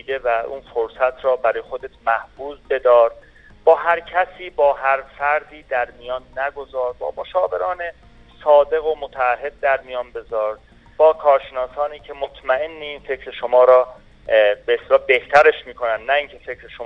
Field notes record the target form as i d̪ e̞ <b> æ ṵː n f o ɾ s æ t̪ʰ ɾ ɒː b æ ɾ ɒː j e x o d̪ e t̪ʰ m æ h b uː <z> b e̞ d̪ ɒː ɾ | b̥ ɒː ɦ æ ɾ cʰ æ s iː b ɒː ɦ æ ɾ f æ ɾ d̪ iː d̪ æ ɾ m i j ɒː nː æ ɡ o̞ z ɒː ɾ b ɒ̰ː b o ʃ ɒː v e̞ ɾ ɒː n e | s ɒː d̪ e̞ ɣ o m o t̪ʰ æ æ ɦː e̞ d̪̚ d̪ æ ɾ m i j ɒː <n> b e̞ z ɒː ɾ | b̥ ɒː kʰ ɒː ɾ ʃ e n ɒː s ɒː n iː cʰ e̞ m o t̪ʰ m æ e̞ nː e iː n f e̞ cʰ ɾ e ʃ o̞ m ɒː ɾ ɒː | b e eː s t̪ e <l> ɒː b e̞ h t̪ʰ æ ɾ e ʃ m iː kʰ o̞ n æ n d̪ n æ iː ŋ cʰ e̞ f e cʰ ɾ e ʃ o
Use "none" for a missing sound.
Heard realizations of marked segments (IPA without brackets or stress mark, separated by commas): v, z, n, l